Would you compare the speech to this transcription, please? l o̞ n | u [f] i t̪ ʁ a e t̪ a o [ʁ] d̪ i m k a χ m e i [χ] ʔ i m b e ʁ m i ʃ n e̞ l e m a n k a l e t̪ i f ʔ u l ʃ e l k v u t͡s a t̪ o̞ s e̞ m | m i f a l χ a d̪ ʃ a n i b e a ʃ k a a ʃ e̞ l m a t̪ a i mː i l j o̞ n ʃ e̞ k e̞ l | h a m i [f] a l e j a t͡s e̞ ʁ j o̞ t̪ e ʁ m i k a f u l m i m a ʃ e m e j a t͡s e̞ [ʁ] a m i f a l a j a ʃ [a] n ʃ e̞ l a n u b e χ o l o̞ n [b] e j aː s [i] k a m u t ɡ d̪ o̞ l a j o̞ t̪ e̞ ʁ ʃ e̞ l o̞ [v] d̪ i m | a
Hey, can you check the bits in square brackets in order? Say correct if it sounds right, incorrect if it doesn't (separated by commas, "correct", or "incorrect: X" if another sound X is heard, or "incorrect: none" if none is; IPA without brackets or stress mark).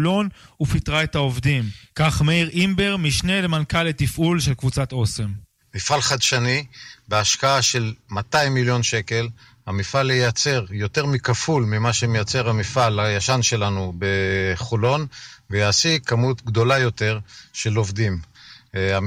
correct, incorrect: v, incorrect: ʁ, correct, correct, correct, incorrect: v, correct, correct